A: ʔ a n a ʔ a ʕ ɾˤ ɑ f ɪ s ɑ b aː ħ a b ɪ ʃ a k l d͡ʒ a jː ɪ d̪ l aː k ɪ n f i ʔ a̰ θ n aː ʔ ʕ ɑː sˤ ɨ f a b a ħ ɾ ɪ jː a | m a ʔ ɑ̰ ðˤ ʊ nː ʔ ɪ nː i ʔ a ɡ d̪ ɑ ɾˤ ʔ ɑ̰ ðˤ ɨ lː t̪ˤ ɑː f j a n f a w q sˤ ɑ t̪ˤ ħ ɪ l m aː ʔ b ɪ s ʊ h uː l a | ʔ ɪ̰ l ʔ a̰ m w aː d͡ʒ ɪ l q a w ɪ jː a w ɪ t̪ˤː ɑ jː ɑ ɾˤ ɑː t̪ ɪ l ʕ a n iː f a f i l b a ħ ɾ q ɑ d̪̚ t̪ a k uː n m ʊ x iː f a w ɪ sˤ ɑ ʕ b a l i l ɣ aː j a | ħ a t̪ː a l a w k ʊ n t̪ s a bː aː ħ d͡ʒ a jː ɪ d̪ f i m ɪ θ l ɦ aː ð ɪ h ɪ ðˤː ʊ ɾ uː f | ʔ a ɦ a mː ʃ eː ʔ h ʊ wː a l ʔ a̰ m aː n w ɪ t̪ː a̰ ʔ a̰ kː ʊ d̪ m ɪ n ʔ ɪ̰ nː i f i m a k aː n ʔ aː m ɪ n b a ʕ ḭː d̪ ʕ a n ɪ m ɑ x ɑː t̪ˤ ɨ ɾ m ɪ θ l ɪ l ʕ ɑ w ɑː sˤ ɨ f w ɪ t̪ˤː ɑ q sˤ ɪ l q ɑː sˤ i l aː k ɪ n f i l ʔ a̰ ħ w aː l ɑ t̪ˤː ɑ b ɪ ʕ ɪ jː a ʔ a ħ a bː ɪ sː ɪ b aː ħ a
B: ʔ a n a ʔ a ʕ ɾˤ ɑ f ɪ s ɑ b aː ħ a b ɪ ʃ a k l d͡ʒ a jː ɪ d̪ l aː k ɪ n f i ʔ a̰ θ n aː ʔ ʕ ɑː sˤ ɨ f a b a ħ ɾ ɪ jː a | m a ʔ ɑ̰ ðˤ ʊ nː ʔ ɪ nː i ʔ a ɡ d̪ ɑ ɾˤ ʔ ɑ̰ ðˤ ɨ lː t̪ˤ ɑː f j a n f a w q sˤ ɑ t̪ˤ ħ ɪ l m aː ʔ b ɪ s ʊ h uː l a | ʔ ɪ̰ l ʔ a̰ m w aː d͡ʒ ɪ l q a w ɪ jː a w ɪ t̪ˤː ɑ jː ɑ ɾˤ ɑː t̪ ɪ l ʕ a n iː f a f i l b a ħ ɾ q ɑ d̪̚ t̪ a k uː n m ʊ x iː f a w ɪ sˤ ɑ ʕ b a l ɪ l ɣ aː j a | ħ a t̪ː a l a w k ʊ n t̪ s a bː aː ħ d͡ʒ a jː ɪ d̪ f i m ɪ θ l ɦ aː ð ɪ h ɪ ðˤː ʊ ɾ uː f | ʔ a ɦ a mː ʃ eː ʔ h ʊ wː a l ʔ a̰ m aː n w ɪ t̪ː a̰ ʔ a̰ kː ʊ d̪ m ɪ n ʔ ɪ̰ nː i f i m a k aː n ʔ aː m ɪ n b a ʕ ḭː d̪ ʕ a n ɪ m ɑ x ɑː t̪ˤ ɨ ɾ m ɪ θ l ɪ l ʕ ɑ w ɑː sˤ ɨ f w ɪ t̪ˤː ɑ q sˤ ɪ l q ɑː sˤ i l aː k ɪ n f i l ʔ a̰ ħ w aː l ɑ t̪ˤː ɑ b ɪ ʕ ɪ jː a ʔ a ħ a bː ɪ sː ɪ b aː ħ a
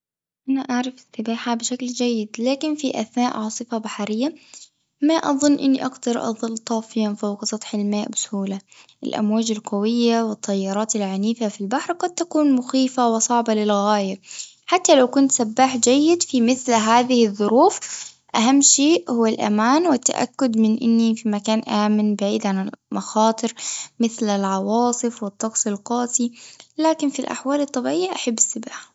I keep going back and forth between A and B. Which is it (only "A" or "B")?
B